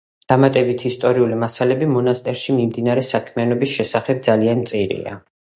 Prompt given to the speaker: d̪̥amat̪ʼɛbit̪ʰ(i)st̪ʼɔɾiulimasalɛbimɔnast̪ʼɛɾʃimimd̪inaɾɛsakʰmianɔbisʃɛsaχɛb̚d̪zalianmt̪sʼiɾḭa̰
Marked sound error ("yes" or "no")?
no